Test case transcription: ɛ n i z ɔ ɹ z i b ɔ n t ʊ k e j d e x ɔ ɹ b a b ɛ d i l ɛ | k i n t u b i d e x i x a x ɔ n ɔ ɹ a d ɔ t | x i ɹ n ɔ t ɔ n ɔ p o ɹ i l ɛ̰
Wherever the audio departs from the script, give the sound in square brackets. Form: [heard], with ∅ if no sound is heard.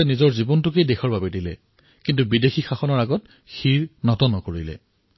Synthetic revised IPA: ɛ n i z ɔ ɹ z i b ɔ n t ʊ k e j d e x ɔ ɹ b a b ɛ d i l ɛ | k i n t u b i d e x i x a x ɔ n ɔ ɹ a [ɡ] ɔ t | x i ɹ n ɔ t ɔ n ɔ [k] o ɹ i l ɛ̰